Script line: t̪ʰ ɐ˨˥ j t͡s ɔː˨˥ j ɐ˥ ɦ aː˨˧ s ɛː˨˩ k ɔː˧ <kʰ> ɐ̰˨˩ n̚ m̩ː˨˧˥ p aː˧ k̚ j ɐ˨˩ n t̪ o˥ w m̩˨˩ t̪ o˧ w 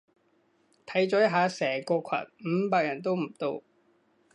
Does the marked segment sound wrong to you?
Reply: no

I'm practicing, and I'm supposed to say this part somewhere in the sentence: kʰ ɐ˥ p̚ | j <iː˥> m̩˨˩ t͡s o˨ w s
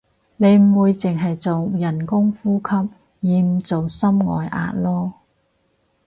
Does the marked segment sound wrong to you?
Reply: yes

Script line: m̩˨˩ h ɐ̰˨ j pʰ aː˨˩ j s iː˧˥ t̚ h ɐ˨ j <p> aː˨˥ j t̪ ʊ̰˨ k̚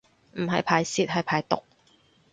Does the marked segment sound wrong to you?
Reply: yes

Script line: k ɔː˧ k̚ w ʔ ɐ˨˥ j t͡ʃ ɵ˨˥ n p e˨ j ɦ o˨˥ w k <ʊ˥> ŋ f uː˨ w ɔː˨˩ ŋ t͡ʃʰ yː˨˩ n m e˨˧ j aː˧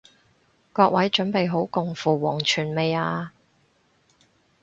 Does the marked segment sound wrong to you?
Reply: yes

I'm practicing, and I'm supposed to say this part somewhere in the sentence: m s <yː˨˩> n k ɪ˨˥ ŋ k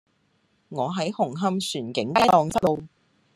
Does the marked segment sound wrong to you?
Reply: no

